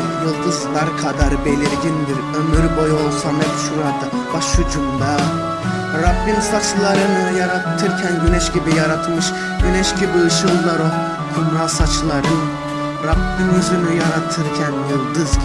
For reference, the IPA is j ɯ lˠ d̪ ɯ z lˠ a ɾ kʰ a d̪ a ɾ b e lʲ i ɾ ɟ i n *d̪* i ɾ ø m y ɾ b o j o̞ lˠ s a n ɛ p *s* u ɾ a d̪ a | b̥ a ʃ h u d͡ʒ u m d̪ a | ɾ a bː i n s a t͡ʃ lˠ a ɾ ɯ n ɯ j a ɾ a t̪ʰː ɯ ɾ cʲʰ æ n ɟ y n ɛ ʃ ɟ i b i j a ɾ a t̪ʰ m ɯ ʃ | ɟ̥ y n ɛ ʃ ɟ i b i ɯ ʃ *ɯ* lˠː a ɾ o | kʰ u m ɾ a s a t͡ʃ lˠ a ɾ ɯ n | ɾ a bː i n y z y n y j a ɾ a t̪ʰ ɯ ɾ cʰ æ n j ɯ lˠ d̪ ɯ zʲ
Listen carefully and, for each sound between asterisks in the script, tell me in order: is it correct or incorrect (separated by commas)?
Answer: correct, incorrect, correct